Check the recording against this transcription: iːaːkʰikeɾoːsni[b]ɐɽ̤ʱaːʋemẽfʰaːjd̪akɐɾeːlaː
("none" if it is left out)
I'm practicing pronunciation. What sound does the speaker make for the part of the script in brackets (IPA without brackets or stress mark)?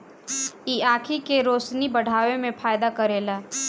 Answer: b